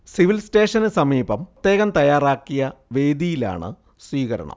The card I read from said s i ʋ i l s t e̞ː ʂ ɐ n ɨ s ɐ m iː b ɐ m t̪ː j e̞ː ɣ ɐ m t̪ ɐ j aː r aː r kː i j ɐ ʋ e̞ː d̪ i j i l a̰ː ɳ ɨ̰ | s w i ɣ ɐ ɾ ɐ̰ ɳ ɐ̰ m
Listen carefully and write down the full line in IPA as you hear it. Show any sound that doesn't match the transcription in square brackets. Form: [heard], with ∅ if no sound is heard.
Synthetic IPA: s i ʋ i l s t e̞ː ʂ ɐ n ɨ s ɐ m iː b ɐ m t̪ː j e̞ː ɣ ɐ m t̪ ɐ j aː r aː [∅] kː i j ɐ ʋ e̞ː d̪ i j i l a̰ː ɳ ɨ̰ | s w [iː] ɣ ɐ ɾ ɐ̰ ɳ ɐ̰ m